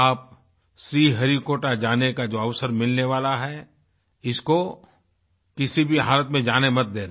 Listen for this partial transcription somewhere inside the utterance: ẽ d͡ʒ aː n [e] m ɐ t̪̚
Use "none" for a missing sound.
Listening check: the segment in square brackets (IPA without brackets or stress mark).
e